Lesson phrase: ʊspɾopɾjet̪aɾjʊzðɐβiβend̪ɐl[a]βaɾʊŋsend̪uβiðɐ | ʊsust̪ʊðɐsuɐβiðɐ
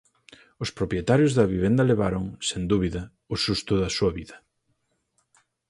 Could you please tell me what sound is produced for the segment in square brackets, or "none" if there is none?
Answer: e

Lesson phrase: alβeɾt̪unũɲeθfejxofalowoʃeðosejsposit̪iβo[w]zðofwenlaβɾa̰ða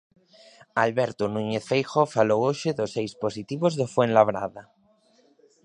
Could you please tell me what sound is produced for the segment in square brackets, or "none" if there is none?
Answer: none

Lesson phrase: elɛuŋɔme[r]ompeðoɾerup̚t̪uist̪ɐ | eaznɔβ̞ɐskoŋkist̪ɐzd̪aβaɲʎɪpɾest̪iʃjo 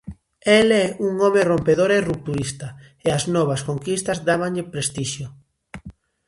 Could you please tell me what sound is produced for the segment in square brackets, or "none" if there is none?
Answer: r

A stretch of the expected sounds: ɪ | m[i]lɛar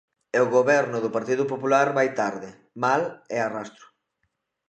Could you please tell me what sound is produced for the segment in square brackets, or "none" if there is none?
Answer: a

